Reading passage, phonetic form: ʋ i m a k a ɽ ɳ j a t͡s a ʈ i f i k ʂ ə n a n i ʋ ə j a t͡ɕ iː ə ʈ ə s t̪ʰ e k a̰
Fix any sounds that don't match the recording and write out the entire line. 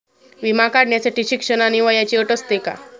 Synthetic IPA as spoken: ʋ i m a k a ɽ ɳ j a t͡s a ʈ i ɕ i k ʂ ə n a n i ʋ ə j a t͡ɕ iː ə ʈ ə s t̪ e k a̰

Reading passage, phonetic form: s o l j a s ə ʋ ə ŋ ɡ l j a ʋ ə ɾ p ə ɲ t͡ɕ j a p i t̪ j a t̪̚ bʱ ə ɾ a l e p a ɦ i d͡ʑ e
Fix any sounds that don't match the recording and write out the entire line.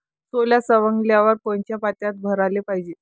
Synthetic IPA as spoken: s o l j a s ə ʋ ə ŋ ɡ l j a ʋ ə ɾ p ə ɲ t͡ɕ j a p a t̪ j a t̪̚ bʱ ə ɾ a l e p a ɦ i d͡ʑ e

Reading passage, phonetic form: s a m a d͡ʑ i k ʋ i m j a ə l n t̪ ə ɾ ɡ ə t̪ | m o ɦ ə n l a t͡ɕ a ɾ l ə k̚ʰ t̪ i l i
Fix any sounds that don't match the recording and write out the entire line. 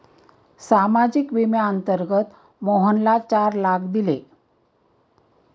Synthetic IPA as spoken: s a m a d͡ʑ i k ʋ i m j a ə n t̪ ə ɾ ɡ ə t̪ | m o ɦ ə n l a t͡ɕ a ɾ l a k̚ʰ d̪ i l e

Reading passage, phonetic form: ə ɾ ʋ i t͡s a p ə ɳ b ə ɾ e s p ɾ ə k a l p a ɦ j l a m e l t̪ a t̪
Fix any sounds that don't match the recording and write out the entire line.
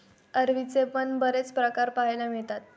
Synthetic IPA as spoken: ə ɾ ʋ i t͡s e p ə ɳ b ə ɾ e t͡s p ɾ ə k a ɾ p a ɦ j l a m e ɭ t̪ a t̪

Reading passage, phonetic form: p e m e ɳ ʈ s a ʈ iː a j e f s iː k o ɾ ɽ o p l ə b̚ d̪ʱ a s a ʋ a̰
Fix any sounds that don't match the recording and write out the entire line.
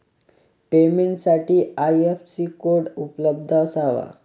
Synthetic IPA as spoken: p e m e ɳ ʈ s a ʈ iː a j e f s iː k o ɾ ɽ u p l ə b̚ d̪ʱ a s a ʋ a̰

